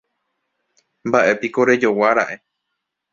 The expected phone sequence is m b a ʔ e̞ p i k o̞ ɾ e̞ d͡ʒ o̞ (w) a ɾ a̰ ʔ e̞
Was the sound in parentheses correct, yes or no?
yes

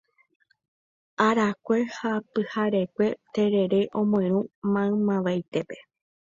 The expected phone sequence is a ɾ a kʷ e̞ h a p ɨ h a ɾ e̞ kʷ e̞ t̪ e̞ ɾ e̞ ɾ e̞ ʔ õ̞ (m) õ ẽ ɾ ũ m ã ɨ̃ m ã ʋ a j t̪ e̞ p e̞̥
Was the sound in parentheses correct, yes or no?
yes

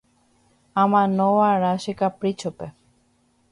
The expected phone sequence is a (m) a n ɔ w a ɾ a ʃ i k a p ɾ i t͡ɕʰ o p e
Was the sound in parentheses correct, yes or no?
yes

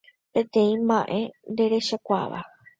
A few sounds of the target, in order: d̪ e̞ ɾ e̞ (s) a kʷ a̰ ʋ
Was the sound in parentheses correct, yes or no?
no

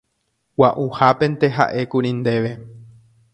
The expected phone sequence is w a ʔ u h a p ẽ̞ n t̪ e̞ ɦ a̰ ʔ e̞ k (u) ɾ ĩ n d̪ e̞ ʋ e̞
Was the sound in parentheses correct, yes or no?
yes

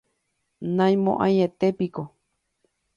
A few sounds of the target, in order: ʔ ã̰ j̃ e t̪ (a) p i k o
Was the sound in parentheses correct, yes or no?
no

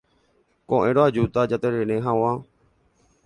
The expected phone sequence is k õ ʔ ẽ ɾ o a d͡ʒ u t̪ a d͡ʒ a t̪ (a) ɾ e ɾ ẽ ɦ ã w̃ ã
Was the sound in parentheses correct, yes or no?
no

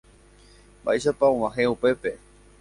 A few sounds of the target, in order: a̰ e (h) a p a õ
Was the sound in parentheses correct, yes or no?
no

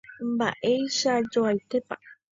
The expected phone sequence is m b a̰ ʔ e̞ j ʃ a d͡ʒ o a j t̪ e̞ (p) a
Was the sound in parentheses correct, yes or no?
yes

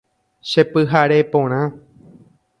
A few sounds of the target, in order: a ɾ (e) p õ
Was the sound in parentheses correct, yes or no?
yes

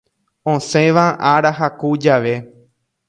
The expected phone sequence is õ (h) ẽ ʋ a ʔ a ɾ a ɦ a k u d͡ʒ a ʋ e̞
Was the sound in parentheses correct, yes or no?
no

